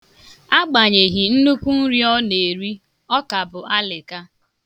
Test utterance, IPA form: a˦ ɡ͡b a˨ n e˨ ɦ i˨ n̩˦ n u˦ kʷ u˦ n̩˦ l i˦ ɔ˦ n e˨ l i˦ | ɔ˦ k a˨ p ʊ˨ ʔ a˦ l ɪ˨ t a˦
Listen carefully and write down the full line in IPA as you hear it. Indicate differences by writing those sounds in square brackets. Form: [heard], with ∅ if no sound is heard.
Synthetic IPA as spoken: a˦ ɡ͡b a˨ [ɲ] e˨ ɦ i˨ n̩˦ n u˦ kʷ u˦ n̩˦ [ɾ] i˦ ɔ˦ n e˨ [ɾ] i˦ | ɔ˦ k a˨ [b] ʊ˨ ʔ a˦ l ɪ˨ [k] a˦